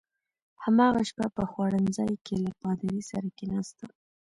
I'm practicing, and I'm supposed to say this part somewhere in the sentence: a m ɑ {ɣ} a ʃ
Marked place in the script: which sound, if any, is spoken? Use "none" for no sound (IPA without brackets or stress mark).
ɣ